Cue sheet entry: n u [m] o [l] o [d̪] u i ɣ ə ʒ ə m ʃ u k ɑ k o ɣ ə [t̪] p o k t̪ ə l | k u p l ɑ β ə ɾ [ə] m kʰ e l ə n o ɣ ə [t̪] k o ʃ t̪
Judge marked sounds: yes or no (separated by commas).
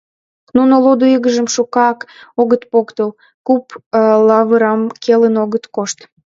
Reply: no, yes, yes, yes, no, yes